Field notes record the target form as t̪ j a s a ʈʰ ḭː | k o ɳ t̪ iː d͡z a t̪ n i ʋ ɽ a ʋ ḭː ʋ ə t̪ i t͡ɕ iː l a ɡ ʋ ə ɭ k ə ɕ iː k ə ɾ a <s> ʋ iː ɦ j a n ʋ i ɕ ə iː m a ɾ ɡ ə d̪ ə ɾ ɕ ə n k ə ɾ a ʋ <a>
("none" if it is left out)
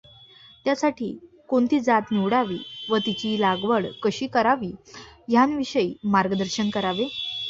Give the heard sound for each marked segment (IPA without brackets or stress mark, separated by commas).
none, e